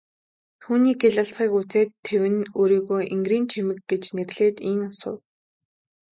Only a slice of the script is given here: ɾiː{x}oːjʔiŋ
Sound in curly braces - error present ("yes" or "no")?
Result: yes